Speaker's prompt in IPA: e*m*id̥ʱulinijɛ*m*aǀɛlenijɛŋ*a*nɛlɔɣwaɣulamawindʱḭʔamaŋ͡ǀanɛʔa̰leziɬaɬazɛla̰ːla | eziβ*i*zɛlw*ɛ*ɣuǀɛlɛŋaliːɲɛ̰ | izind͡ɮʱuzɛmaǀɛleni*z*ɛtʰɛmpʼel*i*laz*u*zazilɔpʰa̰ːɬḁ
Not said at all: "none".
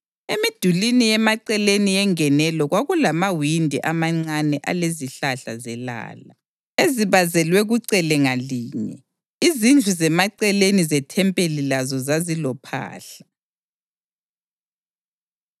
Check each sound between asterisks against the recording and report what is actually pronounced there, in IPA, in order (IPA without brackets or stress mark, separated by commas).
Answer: m, m, ɛ, a, ɛ, z, i, ɔ